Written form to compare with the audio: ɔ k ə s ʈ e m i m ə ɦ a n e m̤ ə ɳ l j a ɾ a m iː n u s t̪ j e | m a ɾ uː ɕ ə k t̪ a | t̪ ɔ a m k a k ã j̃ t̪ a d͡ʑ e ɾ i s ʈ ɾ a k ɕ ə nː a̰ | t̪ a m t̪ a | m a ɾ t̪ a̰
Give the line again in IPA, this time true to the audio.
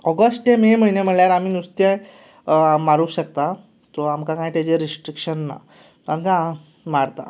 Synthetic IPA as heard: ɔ ɡ ə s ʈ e m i m ə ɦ i n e m̤ ə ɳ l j a ɾ a m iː n u s t̪ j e | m a ɾ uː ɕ ə k t̪ a | t̪ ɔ a m k a k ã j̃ t̪ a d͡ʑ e ɾ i s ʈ ɾ i k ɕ ə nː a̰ | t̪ a m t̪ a | m a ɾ t̪ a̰